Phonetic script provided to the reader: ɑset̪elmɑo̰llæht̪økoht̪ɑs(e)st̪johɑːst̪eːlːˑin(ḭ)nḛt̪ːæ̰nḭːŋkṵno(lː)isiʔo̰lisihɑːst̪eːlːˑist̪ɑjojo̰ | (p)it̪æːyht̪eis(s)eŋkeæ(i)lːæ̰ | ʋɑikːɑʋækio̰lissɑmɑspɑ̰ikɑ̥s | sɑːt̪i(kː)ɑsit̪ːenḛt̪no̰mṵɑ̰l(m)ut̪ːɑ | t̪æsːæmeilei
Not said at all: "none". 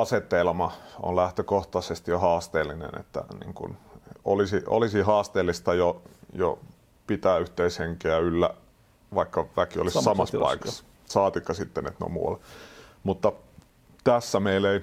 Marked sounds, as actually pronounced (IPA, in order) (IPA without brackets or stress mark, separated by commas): e, ḛ, l, p, h, y, kː, m